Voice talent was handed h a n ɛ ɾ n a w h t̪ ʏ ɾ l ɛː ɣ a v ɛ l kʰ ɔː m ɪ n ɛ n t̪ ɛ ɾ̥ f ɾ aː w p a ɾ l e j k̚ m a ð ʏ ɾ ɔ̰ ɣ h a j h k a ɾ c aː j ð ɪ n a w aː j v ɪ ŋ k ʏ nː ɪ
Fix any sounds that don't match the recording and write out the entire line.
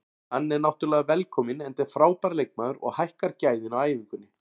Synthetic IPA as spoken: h a nː ɛ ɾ n a w h t̪ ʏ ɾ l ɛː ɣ a v ɛ l kʰ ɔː m ɪ n ɛ n t̪ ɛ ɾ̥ f ɾ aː w p a ɾ l e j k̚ m a ð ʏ ɾ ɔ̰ ɣ h a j h k a ɾ c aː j ð ɪ n a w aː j v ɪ ŋ k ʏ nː ɪ